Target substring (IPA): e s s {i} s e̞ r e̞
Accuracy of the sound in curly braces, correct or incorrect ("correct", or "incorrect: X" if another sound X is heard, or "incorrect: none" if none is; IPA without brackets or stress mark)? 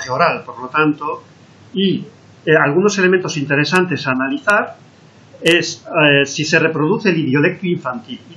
correct